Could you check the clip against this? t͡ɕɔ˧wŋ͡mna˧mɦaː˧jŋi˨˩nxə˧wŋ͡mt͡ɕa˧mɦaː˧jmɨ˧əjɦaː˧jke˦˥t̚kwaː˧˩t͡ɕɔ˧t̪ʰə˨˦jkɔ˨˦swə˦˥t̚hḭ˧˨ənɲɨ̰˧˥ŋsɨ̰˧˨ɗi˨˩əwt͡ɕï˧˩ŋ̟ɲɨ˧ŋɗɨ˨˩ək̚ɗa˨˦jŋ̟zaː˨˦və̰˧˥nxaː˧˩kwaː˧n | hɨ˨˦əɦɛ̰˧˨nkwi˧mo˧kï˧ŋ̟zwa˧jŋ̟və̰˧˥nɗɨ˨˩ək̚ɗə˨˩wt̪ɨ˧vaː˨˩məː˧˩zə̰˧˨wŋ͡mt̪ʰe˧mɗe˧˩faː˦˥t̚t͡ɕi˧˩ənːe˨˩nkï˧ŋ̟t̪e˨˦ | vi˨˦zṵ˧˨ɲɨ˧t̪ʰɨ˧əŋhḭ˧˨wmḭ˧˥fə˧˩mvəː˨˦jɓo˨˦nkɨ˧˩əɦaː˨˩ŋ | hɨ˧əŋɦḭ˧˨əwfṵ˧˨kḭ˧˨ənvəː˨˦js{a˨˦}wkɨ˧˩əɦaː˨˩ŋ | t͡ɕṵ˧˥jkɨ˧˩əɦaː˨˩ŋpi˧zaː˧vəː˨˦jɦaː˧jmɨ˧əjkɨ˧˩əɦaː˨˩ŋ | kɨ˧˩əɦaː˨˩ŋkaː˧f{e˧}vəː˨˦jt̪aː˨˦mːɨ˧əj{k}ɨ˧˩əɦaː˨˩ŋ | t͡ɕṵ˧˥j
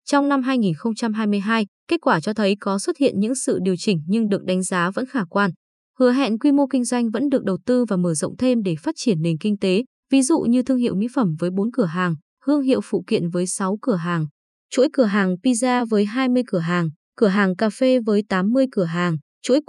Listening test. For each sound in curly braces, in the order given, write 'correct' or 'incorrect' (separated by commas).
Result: correct, correct, correct